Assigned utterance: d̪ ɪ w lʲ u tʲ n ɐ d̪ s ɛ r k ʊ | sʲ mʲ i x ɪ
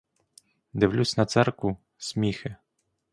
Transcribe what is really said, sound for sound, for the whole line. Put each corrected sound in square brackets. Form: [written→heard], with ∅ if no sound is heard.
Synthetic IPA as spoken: d̪ ɪ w lʲ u [tʲ→sʲ] n ɐ [d̪→t̪] s ɛ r k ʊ | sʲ mʲ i x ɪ